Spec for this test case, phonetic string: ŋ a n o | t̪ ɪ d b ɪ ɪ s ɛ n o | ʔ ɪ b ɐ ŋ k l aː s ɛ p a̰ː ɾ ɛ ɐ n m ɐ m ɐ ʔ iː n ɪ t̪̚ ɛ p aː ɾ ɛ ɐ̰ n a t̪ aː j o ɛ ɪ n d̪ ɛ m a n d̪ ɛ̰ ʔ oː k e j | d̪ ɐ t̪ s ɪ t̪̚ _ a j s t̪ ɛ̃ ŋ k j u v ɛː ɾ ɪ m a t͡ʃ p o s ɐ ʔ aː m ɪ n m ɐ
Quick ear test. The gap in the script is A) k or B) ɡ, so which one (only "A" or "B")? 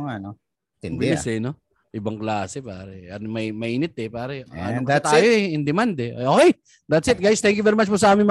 B